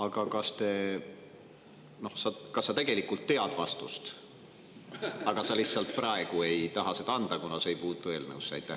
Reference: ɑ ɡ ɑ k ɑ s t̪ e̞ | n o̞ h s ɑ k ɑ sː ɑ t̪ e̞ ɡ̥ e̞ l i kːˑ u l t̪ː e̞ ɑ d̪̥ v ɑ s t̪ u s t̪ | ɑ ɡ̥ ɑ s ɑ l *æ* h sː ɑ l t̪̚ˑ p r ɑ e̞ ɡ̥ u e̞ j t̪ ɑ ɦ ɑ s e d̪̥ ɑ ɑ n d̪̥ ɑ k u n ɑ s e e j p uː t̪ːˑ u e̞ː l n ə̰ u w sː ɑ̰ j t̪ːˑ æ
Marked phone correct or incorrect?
incorrect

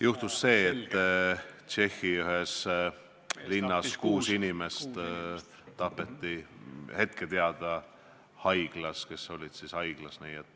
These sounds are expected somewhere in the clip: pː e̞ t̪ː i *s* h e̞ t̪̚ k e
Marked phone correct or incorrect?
incorrect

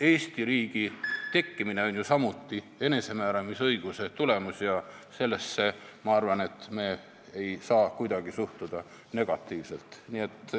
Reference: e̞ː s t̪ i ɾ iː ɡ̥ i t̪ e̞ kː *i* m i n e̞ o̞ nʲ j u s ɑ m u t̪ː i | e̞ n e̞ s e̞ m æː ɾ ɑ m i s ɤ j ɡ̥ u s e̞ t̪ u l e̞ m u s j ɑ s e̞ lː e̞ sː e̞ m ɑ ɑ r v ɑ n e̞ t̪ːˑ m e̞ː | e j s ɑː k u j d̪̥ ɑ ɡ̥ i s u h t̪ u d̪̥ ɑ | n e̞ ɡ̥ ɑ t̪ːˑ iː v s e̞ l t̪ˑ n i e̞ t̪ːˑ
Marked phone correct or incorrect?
correct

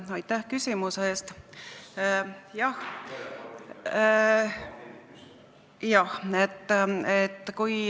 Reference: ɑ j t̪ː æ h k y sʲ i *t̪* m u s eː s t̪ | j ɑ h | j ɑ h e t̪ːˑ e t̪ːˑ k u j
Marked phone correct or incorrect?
incorrect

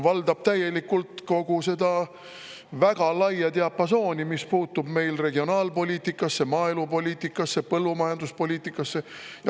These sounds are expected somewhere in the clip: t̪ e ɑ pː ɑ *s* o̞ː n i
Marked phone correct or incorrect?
correct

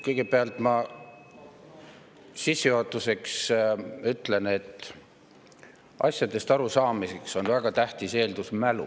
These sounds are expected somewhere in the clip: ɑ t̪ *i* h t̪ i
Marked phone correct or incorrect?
incorrect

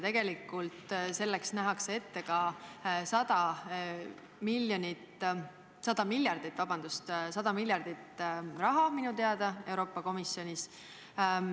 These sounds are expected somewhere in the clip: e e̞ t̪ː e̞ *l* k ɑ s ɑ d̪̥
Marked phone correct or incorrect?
incorrect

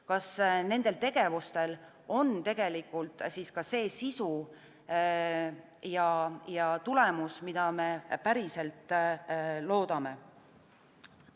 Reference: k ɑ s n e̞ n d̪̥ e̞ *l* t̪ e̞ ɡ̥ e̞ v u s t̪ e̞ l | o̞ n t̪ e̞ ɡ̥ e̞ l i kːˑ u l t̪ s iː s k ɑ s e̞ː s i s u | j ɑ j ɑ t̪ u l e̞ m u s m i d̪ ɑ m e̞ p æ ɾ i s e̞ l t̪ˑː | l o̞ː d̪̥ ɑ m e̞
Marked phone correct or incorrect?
correct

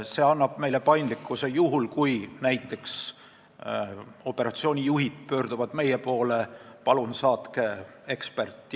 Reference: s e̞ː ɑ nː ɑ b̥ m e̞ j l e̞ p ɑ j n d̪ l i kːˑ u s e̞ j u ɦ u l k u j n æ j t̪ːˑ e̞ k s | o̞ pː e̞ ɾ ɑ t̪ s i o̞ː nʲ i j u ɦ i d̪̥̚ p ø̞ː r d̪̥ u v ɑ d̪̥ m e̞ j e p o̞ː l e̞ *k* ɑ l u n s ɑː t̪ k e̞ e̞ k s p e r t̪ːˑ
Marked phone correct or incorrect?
incorrect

